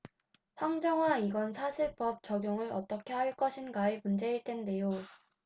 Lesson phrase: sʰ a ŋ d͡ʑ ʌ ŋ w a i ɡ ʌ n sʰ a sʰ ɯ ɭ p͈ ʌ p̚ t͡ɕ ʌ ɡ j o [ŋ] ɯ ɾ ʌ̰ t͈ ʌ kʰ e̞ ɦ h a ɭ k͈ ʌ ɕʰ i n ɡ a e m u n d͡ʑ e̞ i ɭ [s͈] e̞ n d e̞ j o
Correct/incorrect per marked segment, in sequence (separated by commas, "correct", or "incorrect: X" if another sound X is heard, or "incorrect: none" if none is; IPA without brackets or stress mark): correct, incorrect: t͈